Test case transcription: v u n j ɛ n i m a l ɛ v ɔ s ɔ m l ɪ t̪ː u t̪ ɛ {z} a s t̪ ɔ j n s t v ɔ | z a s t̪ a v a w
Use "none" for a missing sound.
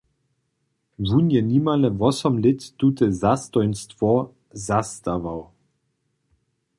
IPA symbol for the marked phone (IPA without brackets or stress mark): z